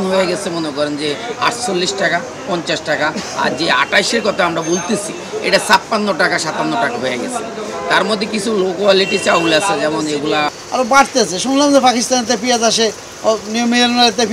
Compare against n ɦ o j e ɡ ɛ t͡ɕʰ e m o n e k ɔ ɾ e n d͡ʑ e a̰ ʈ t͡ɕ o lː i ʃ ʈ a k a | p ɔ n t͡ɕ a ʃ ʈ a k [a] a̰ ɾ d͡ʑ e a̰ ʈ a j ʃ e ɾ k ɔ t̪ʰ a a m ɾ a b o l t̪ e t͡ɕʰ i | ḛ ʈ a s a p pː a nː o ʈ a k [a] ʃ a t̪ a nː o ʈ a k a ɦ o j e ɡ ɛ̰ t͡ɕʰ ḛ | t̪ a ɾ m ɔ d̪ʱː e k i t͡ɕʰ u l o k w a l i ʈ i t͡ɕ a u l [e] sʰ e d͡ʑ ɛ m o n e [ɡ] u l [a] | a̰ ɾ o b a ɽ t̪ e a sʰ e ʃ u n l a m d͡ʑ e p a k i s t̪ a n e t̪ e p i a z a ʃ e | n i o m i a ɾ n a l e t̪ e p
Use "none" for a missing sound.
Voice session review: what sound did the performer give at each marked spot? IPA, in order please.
a, a, a, ɡ, a

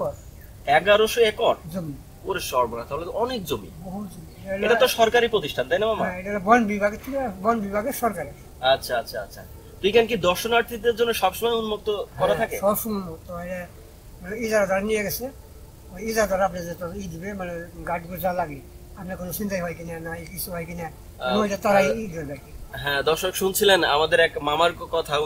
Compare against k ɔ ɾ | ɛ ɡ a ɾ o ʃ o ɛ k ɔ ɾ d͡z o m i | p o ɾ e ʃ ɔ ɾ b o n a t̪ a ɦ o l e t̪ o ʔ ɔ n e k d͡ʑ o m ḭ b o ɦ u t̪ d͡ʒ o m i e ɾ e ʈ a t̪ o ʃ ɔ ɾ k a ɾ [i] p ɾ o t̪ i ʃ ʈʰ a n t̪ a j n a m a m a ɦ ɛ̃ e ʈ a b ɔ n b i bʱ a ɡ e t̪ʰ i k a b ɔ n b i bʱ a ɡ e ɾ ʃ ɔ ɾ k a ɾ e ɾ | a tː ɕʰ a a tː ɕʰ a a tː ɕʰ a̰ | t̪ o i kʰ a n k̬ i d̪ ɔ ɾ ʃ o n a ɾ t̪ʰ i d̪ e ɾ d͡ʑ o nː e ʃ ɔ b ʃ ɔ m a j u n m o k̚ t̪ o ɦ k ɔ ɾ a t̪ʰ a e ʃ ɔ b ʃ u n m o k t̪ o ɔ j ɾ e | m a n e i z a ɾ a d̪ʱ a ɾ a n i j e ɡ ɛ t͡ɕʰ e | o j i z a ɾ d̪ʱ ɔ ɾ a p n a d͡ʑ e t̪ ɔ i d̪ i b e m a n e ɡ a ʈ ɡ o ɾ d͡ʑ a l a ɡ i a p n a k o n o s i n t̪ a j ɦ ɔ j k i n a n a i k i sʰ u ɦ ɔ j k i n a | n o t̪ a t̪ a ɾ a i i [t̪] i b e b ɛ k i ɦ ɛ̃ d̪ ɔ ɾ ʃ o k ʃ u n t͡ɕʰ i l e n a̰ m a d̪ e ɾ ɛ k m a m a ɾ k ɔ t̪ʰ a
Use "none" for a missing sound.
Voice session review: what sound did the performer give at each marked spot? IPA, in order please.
i, d̪

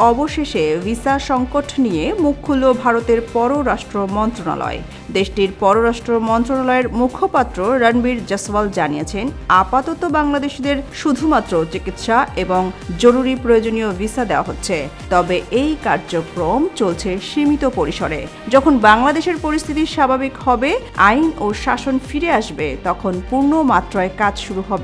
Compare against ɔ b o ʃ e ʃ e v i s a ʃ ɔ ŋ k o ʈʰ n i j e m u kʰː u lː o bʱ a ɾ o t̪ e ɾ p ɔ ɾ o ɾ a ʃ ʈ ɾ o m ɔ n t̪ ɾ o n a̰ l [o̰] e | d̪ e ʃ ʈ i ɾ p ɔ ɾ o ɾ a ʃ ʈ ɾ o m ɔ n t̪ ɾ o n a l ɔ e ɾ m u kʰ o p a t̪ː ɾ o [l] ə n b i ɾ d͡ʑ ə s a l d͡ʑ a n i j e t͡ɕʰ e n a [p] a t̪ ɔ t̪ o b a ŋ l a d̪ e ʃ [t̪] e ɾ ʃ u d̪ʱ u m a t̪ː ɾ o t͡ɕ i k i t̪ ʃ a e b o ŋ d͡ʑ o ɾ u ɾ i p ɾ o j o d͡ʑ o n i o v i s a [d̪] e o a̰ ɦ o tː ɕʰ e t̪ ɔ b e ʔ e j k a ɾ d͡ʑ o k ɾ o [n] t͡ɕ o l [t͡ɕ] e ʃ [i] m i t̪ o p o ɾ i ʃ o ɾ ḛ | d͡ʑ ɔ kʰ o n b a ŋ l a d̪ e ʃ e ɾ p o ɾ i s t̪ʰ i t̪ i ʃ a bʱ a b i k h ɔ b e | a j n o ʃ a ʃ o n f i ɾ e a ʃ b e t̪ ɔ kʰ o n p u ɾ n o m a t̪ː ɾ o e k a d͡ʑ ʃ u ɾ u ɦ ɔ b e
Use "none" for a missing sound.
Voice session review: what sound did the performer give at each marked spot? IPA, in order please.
ɔ̰, ɾ, p, d̪, d̪, m, t͡ɕʰ, i

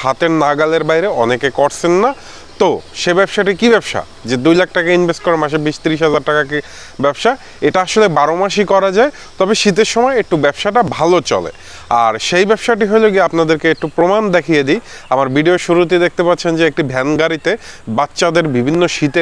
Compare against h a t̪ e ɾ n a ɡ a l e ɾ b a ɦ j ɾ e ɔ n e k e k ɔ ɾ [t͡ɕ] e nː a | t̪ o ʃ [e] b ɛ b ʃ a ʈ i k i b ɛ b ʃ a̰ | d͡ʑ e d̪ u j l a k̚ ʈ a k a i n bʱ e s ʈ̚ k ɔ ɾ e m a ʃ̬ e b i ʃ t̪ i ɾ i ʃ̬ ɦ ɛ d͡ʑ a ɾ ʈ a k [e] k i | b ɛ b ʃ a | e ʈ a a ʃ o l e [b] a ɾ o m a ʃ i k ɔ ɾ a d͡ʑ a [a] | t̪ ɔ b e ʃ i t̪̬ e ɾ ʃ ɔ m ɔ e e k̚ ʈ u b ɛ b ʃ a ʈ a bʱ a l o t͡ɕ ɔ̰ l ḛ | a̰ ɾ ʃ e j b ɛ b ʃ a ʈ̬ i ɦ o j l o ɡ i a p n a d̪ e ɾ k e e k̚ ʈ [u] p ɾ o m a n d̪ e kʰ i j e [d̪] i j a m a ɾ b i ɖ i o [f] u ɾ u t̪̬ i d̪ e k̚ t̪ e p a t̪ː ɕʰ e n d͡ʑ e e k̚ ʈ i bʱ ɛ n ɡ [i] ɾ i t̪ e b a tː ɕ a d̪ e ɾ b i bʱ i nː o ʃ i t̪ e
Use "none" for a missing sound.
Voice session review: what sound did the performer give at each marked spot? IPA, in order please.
t͡ɕʰ, e, a, b, e, u, d̪, ʃ, a

